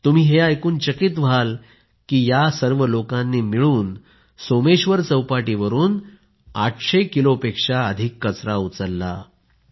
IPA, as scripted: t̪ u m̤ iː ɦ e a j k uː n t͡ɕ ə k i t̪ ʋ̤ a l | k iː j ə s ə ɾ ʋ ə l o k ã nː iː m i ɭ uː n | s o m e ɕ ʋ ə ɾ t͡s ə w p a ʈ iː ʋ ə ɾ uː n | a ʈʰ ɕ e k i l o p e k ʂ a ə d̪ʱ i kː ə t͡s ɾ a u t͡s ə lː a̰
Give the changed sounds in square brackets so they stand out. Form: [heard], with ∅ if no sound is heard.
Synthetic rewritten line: t̪ u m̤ iː ɦ e a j k uː n t͡ɕ ə k i t̪ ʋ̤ a l | k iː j [a] s ə ɾ ʋ ə l o k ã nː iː m i ɭ uː n | s o m e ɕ ʋ ə ɾ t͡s ə w p a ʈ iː ʋ ə ɾ uː n | a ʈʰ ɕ e k i l o p e k ʂ a ə d̪ʱ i kː ə t͡s ɾ a u t͡s ə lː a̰